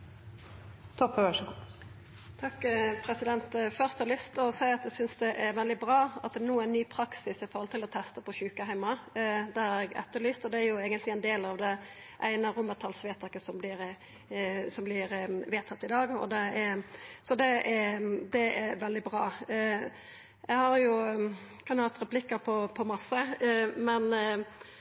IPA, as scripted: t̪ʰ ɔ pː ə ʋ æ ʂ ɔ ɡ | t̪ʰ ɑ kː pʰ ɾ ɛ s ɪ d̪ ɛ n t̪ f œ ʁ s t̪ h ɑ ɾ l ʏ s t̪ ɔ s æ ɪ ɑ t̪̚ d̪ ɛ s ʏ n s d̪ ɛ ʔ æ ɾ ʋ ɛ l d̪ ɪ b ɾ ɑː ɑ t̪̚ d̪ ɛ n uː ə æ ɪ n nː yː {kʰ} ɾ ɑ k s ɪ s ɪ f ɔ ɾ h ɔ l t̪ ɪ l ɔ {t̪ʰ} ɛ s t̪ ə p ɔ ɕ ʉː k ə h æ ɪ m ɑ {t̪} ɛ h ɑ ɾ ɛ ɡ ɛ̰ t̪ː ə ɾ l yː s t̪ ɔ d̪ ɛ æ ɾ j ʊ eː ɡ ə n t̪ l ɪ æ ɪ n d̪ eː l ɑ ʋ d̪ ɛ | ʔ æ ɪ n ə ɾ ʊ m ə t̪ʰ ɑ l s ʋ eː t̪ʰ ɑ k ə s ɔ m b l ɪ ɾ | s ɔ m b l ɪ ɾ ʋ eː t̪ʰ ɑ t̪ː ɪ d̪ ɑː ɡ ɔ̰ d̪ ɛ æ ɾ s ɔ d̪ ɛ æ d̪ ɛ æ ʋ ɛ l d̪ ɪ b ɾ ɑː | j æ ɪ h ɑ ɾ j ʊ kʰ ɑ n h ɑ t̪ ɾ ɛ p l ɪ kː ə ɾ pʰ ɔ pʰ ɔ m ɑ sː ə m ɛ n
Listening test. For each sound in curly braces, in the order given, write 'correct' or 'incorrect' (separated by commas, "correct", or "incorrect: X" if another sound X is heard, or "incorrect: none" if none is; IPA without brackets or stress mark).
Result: incorrect: pʰ, correct, incorrect: d̪